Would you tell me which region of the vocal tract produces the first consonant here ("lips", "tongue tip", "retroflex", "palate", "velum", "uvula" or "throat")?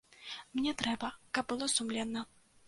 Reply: lips